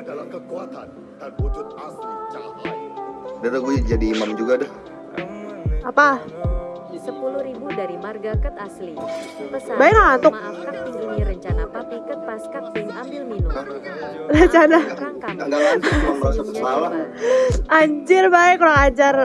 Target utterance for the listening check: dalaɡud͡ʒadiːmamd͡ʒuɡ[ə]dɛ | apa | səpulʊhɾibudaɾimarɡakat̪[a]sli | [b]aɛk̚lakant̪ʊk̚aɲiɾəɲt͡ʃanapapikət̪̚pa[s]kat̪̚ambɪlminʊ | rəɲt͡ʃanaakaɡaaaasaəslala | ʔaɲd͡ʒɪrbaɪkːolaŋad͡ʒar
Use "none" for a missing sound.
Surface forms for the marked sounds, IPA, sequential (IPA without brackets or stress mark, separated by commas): a, a, b, s